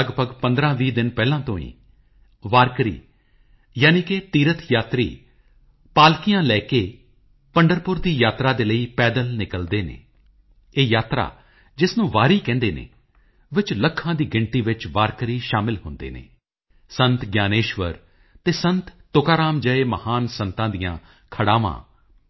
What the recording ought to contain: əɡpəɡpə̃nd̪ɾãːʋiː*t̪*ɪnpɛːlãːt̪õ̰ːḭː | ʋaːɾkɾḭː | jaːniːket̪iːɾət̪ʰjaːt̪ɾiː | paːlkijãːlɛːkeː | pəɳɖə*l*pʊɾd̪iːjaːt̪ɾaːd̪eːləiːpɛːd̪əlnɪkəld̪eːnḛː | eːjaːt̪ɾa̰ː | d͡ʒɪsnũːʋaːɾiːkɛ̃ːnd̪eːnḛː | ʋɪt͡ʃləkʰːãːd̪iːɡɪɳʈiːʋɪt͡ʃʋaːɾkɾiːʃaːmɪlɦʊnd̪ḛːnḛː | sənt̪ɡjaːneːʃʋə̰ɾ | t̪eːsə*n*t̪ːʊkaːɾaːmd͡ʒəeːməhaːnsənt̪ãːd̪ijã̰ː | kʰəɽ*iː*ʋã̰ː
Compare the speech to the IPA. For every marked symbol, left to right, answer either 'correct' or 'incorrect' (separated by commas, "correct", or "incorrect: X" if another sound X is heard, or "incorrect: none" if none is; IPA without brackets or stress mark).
incorrect: d̪, incorrect: ɾ, correct, incorrect: aː